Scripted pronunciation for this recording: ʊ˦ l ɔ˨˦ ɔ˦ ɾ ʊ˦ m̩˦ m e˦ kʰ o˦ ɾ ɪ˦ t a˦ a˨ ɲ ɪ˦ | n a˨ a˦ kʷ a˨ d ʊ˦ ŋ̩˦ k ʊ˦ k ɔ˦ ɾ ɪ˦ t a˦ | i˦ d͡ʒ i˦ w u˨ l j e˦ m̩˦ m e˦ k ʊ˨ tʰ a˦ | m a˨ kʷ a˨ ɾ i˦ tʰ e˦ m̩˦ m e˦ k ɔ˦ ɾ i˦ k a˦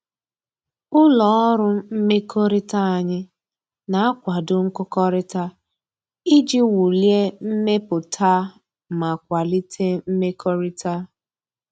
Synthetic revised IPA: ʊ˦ l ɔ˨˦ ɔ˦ ɾ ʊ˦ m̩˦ m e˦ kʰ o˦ ɾ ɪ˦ t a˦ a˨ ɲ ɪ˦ | n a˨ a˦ kʷ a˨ d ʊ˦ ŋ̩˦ k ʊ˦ k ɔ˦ ɾ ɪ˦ t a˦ | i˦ d͡ʒ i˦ w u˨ l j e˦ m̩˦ m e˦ p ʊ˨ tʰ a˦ | m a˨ kʷ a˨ l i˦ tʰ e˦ m̩˦ m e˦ k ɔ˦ ɾ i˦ t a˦